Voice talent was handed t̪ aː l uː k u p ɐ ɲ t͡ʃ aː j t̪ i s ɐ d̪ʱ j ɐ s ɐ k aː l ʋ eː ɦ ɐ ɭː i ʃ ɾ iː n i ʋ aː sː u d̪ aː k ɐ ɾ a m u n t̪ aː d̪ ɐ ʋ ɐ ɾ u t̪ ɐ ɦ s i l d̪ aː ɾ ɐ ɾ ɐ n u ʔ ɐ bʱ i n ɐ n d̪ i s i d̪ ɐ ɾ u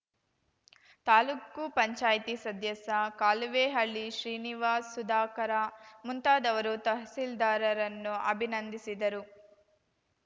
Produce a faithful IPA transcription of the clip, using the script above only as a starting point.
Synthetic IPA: t̪ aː l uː k u p ɐ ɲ t͡ʃ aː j t̪ i s ɐ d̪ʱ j ɐ s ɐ k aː l ʋ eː ɦ ɐ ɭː i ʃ ɾ iː n i ʋ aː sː u d̪ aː k ɐ ɾ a m u n t̪ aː d̪ ɐ ʋ ɐ ɾ u t̪ ɐ ɦ s i l d̪ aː ɾ ɐ ɾ ɐ nː u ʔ ɐ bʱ i n ɐ n d̪ i s i d̪ ɐ ɾ u